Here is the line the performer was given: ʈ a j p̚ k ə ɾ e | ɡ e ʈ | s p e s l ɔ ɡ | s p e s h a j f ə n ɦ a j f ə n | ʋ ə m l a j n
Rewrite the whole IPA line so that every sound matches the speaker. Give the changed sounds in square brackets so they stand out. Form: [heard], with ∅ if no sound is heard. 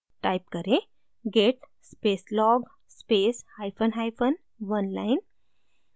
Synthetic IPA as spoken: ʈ a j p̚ k ə ɾ e | ɡ e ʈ | s p e s l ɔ ɡ | s p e s h a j f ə n ɦ a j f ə n | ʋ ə [n] l a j n